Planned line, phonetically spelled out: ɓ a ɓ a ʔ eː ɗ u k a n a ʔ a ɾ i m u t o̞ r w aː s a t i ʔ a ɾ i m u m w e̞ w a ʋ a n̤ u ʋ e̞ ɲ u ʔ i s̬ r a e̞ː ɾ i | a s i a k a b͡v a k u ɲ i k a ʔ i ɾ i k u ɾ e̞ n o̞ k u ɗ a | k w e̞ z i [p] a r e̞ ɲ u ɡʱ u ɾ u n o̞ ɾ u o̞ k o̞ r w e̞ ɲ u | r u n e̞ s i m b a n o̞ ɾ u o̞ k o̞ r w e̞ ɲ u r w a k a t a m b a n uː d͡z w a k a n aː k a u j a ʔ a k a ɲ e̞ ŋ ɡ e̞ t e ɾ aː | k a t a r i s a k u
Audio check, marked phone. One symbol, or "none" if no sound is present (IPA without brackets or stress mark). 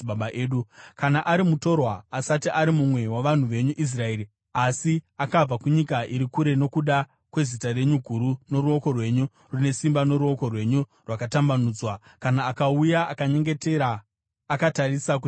t